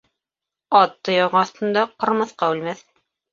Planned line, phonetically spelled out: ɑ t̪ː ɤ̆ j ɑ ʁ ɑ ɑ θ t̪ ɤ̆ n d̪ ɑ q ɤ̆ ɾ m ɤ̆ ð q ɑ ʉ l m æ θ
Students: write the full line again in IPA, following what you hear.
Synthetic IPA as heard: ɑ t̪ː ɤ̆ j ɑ ʁ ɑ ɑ θ t̪ ɤ̆ n d̪ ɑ q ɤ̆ ɾ m ɤ̆ θ q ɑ ʉ l m æ θ

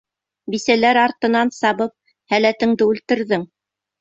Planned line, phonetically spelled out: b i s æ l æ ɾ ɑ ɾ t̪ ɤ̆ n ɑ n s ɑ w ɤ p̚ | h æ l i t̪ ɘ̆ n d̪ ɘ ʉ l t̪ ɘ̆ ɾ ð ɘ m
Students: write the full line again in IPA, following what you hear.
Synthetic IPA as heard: b i s æ l æ ɾ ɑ ɾ t̪ ɤ̆ n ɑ n s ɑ β ɤ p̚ | h æ l æ t̪ ɘ̆ ŋ d̪ ɘ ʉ l t̪ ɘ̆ ɾ ð ɘ ŋ

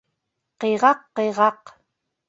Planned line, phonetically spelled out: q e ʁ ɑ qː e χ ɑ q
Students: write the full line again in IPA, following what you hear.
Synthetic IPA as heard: q e ʁ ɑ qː e ʁ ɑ q

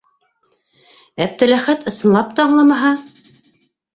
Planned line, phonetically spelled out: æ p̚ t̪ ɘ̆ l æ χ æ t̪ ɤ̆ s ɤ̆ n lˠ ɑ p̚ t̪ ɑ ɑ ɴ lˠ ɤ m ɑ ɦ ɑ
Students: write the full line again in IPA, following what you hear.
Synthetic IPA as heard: æ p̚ t̪ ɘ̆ l æ χ æ t̪ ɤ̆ s ɤ̆ n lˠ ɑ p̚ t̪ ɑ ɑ ɴ lˠ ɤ m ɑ ɦ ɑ

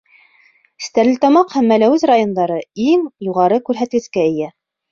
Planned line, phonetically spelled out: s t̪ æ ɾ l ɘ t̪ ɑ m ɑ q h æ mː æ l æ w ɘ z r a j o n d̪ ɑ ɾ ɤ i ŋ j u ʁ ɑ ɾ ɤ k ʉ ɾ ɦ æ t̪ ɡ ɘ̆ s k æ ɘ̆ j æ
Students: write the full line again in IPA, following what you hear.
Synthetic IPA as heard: s t̪ æ ɾ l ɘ t̪ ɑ m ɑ q h æ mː æ l æ w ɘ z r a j o n d̪ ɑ ɾ ɤ i ŋ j u ʁ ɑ ɾ ɤ k ʉ ɾ ɦ æ t̪ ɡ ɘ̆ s k æ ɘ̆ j æ

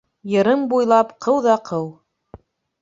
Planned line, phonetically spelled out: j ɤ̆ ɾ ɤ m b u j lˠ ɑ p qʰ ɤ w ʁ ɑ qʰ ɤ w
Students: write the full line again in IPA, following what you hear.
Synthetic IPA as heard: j ɤ̆ ɾ ɤ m b u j lˠ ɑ p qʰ ɤ w ð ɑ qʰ ɤ w

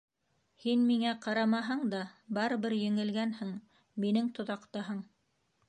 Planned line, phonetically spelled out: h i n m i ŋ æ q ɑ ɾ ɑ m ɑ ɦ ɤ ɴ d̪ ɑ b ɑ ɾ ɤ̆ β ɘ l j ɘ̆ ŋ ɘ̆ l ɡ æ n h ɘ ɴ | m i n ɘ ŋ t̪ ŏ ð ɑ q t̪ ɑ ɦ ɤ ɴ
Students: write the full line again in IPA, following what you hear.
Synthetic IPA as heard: h i n m i ŋ æ q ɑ ɾ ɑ m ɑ ɦ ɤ ɴ d̪ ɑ b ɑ ɾ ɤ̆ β ɘ ɾ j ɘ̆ ŋ ɘ̆ l ɡ æ n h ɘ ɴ | m i n ɘ ŋ t̪ ŏ ð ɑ q t̪ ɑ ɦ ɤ ɴ

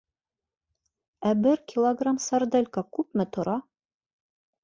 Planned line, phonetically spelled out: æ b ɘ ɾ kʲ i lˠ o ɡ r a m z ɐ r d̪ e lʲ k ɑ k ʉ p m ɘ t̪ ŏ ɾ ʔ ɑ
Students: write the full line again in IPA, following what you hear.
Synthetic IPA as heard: æ b ɘ ɾ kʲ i lˠ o ɡ r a m s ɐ r d̪ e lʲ k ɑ k ʉ p m ɘ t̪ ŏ ɾ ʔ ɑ

